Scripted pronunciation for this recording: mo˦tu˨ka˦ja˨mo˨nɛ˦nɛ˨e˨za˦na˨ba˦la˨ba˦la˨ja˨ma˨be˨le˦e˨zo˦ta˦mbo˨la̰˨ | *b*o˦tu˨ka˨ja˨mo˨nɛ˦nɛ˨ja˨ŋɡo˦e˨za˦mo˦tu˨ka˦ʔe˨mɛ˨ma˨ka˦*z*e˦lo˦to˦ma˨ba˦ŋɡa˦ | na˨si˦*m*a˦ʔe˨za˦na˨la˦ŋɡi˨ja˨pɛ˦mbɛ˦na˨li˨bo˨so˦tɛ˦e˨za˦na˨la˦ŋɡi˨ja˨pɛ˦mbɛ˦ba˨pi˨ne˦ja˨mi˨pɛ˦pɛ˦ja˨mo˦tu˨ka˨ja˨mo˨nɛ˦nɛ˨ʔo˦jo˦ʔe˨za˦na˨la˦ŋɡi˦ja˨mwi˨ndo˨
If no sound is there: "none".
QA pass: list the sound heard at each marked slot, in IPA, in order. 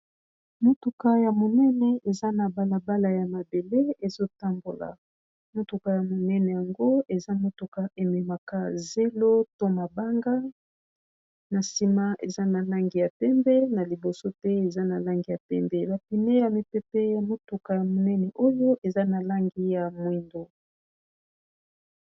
m, z, m

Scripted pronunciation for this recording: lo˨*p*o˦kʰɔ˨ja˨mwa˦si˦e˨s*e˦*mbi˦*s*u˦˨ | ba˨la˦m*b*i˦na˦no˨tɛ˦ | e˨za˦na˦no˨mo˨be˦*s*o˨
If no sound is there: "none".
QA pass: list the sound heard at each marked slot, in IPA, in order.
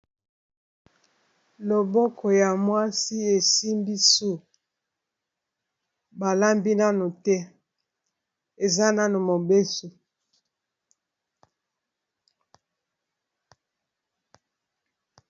b, i˦, s, b, s

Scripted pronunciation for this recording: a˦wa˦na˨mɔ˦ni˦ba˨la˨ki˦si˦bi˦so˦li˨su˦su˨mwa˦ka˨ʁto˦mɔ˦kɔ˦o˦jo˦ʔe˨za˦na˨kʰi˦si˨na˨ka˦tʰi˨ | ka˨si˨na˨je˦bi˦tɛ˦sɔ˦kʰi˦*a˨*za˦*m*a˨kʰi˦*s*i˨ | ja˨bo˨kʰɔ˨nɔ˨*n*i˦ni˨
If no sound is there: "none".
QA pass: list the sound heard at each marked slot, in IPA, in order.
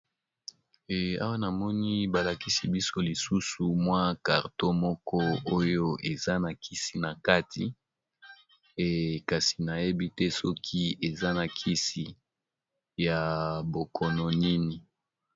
e˨, n, s, n

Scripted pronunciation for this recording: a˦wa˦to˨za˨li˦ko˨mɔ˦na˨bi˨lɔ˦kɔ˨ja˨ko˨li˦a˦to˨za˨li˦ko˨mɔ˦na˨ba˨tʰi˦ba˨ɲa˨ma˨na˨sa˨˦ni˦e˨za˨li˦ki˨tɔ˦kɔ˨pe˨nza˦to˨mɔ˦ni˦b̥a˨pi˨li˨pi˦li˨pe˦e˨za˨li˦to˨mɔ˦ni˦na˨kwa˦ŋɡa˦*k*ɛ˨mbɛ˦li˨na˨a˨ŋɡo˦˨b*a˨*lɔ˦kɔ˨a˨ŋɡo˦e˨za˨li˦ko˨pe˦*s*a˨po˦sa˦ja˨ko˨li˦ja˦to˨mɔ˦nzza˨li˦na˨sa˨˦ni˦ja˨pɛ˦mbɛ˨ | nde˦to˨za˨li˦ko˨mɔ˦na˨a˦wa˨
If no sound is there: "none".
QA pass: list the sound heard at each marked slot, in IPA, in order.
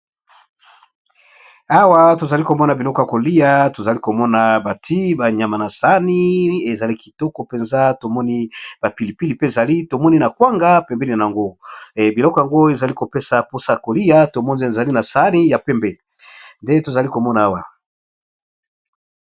p, i˨, s

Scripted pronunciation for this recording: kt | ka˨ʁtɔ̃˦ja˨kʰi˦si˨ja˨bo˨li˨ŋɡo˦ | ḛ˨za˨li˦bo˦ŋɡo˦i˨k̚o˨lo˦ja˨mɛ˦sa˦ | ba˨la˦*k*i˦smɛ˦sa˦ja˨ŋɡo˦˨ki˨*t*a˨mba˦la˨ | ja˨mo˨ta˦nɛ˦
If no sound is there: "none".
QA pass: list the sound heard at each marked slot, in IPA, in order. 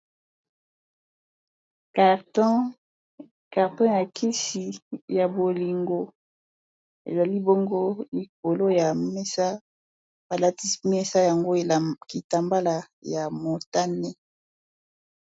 t, t

